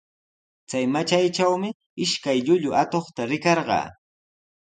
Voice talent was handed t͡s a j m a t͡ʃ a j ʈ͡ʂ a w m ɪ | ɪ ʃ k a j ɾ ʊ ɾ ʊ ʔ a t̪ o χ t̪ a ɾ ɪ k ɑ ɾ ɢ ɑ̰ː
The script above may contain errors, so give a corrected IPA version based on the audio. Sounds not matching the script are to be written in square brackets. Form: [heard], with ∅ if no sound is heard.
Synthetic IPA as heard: t͡s a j m a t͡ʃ a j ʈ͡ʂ a w m ɪ | ɪ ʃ k a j [ʎ] ʊ [ʎ] ʊ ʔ a t̪ o χ t̪ a ɾ ɪ k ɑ ɾ ɢ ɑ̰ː